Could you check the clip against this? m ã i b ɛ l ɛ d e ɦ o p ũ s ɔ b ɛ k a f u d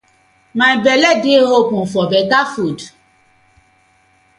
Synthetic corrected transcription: m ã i b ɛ l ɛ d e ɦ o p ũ f ɔ b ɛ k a f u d